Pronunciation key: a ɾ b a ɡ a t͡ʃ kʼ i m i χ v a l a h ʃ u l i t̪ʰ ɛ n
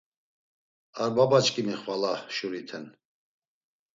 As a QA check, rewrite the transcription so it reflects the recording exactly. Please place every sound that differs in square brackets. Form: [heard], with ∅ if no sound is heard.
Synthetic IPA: a ɾ b a [b] a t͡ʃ kʼ i m i χ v a l a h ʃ u [ɾ] i t̪ʰ ɛ n